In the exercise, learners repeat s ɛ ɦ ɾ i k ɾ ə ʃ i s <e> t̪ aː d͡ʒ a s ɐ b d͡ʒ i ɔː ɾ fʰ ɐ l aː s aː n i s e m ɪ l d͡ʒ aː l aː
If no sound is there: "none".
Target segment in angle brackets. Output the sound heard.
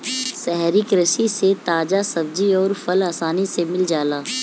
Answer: e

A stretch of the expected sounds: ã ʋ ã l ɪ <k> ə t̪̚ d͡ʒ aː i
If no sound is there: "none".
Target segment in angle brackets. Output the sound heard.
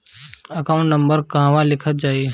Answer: kʰ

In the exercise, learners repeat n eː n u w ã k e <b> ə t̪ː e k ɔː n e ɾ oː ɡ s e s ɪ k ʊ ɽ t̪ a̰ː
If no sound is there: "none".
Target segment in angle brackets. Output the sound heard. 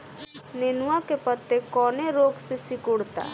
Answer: p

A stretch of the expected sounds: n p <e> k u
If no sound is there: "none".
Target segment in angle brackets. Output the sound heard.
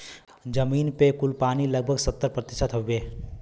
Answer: e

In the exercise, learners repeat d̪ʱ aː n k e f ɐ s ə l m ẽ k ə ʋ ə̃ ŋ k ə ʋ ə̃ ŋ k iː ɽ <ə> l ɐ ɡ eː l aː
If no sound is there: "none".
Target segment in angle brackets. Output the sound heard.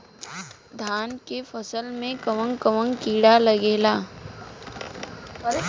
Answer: a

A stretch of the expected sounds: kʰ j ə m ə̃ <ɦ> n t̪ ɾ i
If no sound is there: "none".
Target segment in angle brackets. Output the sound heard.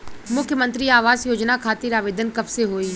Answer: none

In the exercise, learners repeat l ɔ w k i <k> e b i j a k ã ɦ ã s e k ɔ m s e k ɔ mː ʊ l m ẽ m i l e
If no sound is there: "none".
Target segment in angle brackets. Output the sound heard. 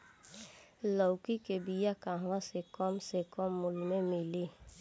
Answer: k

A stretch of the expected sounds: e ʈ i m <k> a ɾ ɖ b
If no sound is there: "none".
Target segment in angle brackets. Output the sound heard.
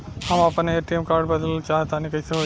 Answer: k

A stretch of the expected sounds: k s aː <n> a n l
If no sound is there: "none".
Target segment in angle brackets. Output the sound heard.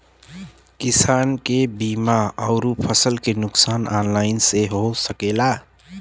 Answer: n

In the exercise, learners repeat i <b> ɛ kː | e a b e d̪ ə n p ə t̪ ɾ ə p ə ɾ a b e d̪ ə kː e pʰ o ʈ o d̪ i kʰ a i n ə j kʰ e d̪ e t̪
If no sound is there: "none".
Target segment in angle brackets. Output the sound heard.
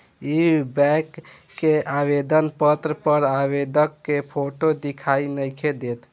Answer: b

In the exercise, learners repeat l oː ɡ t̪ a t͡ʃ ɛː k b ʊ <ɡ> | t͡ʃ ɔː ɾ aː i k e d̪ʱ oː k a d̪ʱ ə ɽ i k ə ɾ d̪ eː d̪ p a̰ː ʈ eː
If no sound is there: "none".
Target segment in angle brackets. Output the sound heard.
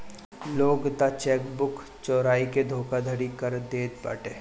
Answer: k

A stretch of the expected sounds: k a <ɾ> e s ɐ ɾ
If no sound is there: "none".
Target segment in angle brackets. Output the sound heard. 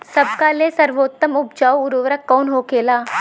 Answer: l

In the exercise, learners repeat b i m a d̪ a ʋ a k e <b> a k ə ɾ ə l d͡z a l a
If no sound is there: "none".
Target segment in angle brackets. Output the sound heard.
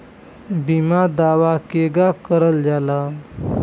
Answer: ɡ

